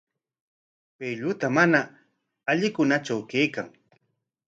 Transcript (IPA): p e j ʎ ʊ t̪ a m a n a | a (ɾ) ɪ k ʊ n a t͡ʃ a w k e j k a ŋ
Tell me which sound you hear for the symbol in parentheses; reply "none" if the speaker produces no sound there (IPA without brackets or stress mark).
ʎ